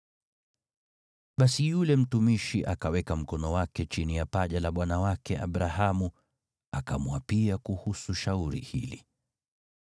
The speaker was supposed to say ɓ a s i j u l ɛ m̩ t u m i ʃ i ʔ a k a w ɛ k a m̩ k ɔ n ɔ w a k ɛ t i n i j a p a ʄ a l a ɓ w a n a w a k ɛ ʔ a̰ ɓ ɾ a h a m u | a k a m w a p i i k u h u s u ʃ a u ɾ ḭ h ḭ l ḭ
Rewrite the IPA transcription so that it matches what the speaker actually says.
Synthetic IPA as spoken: ɓ a s i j u l ɛ m̩ t u m i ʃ i ʔ a k a w ɛ k a m̩ k ɔ n ɔ w a k ɛ t͡ʃ i n i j a p a ʄ a l a ɓ w a n a w a k ɛ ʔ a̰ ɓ ɾ a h a m u | a k a m w a p i a k u h u s u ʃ a u ɾ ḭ h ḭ l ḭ

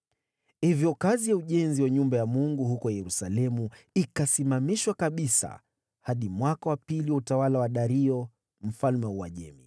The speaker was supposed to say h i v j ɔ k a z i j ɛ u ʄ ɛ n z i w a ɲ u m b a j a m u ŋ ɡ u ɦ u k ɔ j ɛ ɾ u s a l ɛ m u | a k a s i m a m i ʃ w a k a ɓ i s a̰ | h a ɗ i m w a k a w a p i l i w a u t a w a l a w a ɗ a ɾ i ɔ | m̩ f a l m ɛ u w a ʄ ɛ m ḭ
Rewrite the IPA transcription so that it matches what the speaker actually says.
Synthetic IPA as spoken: h i v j ɔ k a z i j a u ʄ ɛ n z i w a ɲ u m b a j a m u ŋ ɡ u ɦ u k ɔ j ɛ ɾ u s a l ɛ m u | i k a s i m a m i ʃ w a k a ɓ i s a̰ | h a ɗ i m w a k a w a p i l i w a u t a w a l a w a ɗ a ɾ i ɔ | m̩ f a l m ɛ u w a ʄ ɛ m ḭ

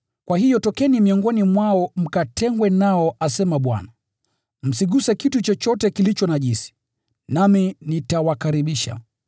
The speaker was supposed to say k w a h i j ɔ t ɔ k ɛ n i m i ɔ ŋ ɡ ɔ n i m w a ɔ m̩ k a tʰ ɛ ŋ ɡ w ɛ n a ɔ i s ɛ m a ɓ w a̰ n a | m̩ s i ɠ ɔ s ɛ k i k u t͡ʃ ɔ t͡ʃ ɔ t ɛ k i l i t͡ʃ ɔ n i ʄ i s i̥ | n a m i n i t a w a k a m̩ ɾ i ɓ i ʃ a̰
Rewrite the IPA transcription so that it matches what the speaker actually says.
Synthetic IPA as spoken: k w a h i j ɔ t ɔ k ɛ n i m i ɔ ŋ ɡ ɔ n i m w a ɔ m̩ k a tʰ ɛ ŋ ɡ w ɛ n a ɔ a s ɛ m a ɓ w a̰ n a | m̩ s i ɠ u s ɛ k i t u t͡ʃ ɔ t͡ʃ ɔ t ɛ k i l i t͡ʃ ɔ n a ʄ i s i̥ | n a m i n i t a w a k a ɾ i ɓ i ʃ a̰

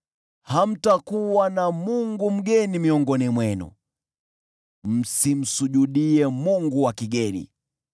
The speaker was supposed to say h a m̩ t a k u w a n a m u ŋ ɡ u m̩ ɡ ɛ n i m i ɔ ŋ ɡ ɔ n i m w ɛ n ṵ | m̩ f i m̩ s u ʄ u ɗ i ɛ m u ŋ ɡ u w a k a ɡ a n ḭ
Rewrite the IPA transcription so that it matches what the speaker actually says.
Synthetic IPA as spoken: h a m̩ t a k u w a n a m u ŋ ɡ u m̩ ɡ ɛ n i m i ɔ ŋ ɡ ɔ n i m w ɛ n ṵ | m̩ s i m̩ s u ʄ u ɗ i ɛ m u ŋ ɡ u w a k i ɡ ɛ n ḭ

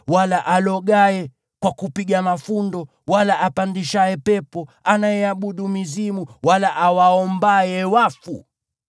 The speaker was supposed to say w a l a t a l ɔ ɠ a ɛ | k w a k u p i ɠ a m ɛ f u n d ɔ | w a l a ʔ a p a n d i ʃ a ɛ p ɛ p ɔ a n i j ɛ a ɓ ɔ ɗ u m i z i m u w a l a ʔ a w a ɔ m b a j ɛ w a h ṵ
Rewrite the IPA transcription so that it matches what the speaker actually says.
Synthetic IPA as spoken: w a l a ʔ a l ɔ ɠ a ɛ | k w a k u p i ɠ a m a f u n d ɔ | w a l a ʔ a p a n d i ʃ a ɛ p ɛ p ɔ a n a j ɛ a ɓ u ɗ u m i z i m u w a l a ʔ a w a ɔ m b a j ɛ w a f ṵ

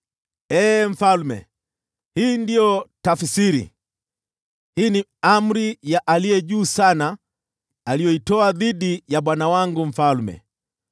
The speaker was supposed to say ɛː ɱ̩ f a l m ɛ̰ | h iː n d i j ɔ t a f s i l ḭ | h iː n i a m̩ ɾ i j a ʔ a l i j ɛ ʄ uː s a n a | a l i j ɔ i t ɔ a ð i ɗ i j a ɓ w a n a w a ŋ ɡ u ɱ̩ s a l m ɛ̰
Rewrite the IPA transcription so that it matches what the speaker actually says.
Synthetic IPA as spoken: ɛː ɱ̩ f a l m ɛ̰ | h iː n d i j ɔ t a f s i ɾ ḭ | h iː n i a m̩ ɾ i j a ʔ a l i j ɛ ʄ uː s a n a | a l i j ɔ i t ɔ a ð i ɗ i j a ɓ w a n a w a ŋ ɡ u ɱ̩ f a l m ɛ̰

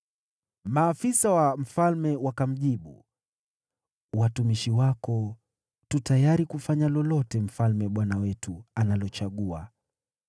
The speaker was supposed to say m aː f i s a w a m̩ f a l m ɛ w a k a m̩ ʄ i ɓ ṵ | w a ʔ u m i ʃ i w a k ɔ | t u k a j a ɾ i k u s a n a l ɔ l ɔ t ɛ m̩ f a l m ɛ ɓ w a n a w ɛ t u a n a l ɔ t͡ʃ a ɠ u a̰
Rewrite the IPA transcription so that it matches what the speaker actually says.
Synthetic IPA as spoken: m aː f i s a w a m̩ f a l m ɛ w a k a m̩ ʄ i ɓ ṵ | w a t u m i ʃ i w a k ɔ | t u t a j a ɾ i k u f a ɲ a l ɔ l ɔ t ɛ m̩ f a l m ɛ ɓ w a n a w ɛ t u a n a l ɔ t͡ʃ a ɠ u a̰

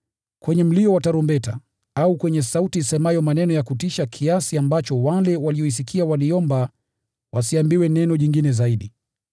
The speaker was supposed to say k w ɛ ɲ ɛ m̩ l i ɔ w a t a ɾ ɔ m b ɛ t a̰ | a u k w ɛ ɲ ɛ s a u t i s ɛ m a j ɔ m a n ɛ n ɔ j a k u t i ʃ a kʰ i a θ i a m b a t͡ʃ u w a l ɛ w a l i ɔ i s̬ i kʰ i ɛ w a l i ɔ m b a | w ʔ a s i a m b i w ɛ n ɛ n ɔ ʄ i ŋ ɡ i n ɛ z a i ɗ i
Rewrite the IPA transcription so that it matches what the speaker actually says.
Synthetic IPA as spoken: k w ɛ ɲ ɛ m̩ l i ɔ w a t a ɾ ɔ m b ɛ t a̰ | a u k w ɛ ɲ ɛ s a u t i s ɛ m a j ɔ m a n ɛ n ɔ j a k u t i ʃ a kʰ i a s i a m b a t͡ʃ ɔ w a l ɛ w a l i ɔ i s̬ i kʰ i a w a l i ɔ m b a | w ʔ a s i a m b i w ɛ n ɛ n ɔ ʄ i ŋ ɡ i n ɛ z a i ɗ i

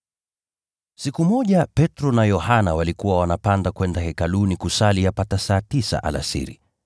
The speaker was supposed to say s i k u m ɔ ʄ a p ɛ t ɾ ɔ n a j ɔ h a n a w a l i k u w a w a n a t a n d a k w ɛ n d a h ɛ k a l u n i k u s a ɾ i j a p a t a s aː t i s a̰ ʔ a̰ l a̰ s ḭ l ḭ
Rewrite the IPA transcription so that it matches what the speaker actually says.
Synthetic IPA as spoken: s i k u m ɔ ʄ a p ɛ t ɾ ɔ n a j ɔ h a n a w a l i k u w a w a n a p a n d a k w ɛ n d a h ɛ k a l u n i k u s a l i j a p a t a s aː t i s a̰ ʔ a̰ l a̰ s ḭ ɾ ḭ

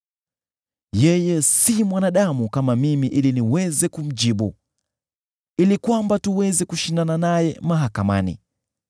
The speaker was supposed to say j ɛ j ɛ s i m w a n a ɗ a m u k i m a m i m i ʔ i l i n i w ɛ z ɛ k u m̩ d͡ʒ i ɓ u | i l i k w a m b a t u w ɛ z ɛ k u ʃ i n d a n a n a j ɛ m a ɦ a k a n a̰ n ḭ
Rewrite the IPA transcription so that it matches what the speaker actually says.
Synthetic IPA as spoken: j ɛ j ɛ s i m w a n a ɗ a m u k a m a m i m i ʔ i l i n i w ɛ z ɛ k u m̩ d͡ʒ i ɓ u | i l i k w a m b a t u w ɛ z ɛ k u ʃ i n d a n a n a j ɛ m a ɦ a k a m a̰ n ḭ

